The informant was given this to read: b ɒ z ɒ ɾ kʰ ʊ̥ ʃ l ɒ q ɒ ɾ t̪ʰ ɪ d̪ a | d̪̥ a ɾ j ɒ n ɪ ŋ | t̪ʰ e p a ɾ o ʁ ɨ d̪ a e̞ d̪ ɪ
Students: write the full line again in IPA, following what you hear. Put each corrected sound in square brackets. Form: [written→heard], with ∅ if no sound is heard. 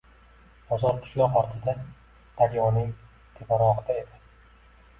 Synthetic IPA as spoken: b ɒ z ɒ ɾ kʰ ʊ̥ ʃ l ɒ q ɒ ɾ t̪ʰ ɪ d̪ a | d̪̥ a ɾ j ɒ n ɪ ŋ | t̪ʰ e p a ɾ [o→ɒ] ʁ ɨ d̪ a e̞ d̪ ɪ